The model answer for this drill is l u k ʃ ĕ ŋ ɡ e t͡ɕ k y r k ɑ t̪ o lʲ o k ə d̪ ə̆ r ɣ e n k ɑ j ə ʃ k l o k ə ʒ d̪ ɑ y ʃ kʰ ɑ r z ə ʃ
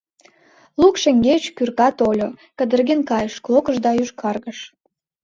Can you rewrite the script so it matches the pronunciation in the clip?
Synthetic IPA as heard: l u k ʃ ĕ ŋ ɡ e t͡ɕ k y r k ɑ t̪ o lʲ o k ə d̪ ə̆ r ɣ e n k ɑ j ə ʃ k l o k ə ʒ d̪ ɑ y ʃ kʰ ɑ r ɣ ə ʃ